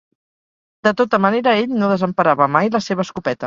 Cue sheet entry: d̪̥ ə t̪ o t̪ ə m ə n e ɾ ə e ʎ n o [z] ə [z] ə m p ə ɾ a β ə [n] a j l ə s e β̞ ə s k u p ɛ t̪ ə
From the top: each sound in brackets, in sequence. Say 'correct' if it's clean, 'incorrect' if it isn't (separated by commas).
incorrect, correct, incorrect